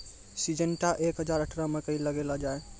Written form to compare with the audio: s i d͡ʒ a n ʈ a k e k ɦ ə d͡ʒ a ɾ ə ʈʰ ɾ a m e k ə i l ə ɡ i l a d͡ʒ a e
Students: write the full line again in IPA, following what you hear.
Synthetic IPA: s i d͡ʒ ə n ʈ a ʔ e k ɦ ə d͡ʒ a ɾ ə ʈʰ ɾ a m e k ə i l ə ɡ e l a d͡ʒ a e